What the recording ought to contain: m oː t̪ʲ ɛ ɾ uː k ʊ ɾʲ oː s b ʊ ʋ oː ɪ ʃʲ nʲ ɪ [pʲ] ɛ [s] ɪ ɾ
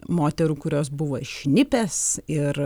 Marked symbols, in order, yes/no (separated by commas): yes, yes